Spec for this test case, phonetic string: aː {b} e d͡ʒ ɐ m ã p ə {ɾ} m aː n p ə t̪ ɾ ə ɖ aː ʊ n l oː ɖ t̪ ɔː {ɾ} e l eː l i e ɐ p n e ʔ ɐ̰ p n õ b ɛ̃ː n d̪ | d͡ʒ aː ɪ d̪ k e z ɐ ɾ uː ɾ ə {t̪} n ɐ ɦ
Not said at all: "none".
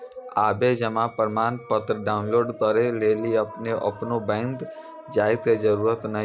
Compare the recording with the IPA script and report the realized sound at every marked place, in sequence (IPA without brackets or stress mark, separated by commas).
b, ɾ, ɾ, t̪